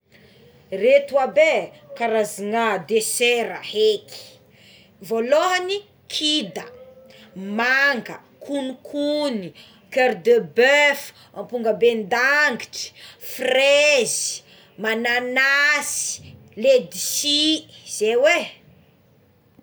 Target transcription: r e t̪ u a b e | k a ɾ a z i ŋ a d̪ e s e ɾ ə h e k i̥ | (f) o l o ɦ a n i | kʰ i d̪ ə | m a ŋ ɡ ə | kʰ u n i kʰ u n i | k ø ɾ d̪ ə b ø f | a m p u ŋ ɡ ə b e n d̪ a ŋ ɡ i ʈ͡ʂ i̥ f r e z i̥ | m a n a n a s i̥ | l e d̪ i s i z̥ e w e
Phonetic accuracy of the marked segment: incorrect: v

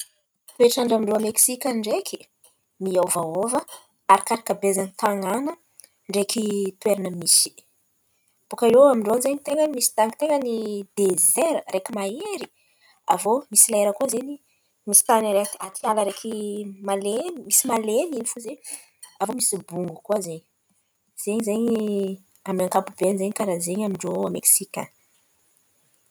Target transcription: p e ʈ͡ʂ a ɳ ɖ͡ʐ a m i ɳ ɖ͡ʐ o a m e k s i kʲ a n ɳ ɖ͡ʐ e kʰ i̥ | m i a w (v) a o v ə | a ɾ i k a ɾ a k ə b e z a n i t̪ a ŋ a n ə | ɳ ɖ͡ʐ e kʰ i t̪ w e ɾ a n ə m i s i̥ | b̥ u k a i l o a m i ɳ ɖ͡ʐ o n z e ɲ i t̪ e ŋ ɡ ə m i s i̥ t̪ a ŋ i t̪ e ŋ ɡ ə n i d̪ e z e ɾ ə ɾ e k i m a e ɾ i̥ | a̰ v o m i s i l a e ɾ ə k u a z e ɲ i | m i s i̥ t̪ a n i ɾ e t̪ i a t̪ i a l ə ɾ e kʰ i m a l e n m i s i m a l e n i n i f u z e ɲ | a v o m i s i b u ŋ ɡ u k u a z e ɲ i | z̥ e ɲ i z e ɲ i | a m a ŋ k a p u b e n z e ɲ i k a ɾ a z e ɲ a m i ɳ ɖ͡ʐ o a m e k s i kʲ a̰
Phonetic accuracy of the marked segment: correct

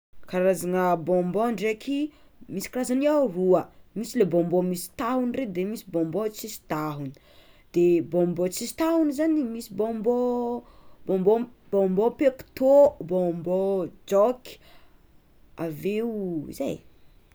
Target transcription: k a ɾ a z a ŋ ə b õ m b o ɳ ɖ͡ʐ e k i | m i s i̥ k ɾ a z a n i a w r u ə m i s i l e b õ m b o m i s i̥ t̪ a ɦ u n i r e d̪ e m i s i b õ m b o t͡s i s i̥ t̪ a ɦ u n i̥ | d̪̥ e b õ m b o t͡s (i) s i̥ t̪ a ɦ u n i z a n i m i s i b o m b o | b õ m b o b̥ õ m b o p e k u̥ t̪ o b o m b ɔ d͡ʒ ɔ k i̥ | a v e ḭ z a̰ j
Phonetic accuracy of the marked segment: correct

